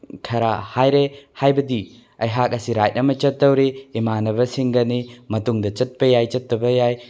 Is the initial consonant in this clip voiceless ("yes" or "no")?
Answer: yes